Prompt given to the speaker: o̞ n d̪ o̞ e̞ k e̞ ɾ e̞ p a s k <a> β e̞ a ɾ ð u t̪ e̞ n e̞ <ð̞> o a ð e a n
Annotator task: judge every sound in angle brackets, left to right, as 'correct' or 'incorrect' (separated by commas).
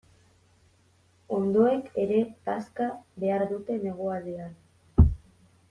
correct, incorrect